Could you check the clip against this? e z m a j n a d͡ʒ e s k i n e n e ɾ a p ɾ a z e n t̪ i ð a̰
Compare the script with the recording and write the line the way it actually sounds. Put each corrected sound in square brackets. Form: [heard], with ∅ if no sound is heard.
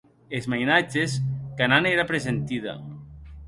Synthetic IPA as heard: e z m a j n a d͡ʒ e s k [a] n [a] n e ɾ a p ɾ [e] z e n t̪ i ð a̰